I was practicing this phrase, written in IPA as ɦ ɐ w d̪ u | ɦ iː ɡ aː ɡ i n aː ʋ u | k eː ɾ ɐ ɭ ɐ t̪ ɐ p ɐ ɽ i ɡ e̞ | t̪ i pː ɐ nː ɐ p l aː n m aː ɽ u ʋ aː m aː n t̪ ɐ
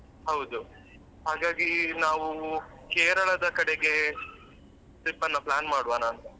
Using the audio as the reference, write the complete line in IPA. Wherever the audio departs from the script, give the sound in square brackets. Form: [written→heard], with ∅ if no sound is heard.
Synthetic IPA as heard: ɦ ɐ w d̪ u | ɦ [iː→aː] ɡ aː ɡ i n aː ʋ u | k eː ɾ ɐ ɭ ɐ [t̪→d̪] ɐ [p→k] ɐ ɽ [i→e] ɡ e̞ | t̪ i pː ɐ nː ɐ p l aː n m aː ɽ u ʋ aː [m→n] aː n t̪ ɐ

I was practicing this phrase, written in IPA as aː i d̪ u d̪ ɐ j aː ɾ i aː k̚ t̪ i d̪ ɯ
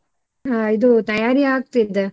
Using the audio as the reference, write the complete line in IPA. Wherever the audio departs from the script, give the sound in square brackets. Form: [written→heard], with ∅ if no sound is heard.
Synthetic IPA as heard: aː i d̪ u [d̪→t̪] ɐ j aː ɾ i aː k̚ t̪ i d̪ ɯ

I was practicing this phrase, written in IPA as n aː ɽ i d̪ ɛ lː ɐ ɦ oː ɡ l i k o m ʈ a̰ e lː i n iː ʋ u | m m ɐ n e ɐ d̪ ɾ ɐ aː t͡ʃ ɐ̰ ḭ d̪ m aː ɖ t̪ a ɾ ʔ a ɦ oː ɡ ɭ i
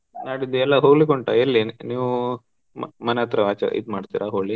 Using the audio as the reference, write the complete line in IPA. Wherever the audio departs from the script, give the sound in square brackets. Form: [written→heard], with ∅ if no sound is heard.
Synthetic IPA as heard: n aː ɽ i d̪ ɛ lː ɐ ɦ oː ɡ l i k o [m→ɳ] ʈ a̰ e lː i n iː ʋ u | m m ɐ n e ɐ [d̪→t̪] ɾ ɐ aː t͡ʃ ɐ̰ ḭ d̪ m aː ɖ t̪ [a→i] ɾ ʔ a ɦ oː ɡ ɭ i

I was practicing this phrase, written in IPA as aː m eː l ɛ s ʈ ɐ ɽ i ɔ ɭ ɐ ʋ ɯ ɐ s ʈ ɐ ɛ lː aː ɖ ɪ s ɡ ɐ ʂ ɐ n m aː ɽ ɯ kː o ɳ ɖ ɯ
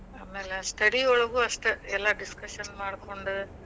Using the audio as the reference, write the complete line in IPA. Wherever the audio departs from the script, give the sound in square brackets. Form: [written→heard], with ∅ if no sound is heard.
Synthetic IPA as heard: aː m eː l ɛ s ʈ ɐ ɽ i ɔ ɭ ɐ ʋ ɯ ɐ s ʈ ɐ ɛ lː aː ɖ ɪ s [ɡ→k] ɐ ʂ ɐ n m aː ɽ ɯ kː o ɳ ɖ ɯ

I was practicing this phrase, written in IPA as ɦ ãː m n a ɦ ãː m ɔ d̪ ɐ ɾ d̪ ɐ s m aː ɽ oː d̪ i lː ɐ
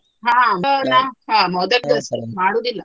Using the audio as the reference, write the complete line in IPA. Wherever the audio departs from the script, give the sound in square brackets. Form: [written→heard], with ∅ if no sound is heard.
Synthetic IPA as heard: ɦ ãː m n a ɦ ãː m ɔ d̪ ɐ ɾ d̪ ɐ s m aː ɽ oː d̪ i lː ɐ

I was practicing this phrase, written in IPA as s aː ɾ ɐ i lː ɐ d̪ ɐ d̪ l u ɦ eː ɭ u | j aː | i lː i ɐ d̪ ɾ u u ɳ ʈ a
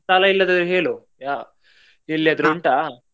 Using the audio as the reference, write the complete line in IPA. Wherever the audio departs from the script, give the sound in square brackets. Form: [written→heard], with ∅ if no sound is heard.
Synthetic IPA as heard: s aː [ɾ→l] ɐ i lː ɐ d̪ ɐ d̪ [l→ɾ] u ɦ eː ɭ u | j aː | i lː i ɐ d̪ ɾ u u ɳ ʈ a

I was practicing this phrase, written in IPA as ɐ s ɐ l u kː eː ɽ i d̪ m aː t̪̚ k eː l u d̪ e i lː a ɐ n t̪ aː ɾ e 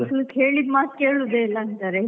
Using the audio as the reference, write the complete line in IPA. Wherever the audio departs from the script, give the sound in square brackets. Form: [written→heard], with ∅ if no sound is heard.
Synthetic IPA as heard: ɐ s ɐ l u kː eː [ɽ→ɭ] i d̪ m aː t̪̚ k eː [l→ɭ] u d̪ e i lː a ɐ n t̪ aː ɾ e

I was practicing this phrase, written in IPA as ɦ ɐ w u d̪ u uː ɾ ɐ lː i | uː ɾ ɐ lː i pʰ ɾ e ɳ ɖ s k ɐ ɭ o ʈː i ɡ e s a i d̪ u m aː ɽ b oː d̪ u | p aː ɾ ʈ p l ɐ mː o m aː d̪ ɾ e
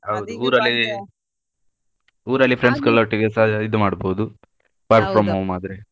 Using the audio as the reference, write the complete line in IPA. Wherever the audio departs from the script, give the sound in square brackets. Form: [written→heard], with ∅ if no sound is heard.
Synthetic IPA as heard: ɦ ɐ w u d̪ u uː ɾ ɐ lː i | uː ɾ ɐ lː i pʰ ɾ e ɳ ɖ s k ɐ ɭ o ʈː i ɡ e s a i d̪ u m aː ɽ b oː d̪ u | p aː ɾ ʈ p [l→ɾ] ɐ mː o m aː d̪ ɾ e

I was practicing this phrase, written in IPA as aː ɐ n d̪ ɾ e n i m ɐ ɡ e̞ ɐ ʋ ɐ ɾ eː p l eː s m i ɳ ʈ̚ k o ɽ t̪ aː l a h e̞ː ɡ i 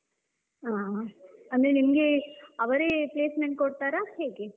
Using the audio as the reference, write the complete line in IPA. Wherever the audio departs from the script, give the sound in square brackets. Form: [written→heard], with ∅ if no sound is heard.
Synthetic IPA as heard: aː ɐ n d̪ ɾ e n i m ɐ ɡ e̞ ɐ ʋ ɐ ɾ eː p l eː s m [i→e] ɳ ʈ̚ k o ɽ t̪ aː [l→ɾ] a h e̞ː ɡ [i→e]

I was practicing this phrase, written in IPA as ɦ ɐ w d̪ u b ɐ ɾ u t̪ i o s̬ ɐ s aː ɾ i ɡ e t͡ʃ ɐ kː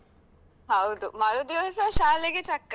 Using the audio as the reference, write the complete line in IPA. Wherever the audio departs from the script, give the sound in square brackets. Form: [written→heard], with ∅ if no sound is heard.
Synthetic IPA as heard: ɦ ɐ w d̪ u [b→m] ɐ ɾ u [t̪→d̪] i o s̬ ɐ [s→ʃ] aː [ɾ→l] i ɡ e t͡ʃ ɐ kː

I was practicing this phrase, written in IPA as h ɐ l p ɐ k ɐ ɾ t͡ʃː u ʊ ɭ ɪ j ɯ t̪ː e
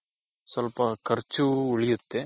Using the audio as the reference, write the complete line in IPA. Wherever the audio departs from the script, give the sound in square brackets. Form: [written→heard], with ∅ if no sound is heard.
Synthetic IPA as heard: [h→s] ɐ l p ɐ k ɐ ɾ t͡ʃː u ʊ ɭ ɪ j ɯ t̪ː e

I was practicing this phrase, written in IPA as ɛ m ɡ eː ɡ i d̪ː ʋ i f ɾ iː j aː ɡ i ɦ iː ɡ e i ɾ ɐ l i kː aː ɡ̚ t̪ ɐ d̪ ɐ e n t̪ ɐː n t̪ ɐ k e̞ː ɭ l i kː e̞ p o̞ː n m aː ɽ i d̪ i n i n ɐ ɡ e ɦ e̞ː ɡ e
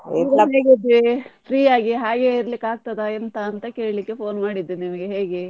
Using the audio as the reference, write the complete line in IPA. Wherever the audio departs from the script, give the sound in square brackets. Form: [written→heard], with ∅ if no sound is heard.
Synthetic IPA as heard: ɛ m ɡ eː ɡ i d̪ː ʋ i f ɾ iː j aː ɡ i ɦ [iː→aː] ɡ e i ɾ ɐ l i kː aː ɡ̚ t̪ ɐ d̪ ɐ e n t̪ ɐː n t̪ ɐ k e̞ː ɭ l i kː e̞ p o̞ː n m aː ɽ i d̪ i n i [n→m] ɐ ɡ e ɦ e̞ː ɡ e

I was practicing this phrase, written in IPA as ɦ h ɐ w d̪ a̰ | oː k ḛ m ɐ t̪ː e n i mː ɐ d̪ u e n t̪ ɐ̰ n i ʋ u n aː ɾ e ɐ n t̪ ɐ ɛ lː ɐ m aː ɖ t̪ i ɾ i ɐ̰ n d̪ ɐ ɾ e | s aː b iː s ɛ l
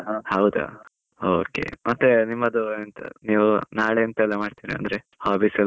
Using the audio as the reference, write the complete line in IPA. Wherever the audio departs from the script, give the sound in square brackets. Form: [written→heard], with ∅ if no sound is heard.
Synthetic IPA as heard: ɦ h ɐ w d̪ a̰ | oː k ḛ m ɐ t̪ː e n i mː ɐ d̪ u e n t̪ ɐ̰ n [i→iː] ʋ u n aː [ɾ→ɭ] e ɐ n t̪ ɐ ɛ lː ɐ m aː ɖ t̪ i ɾ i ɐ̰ n d̪ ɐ ɾ e | [s→h] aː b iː s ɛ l

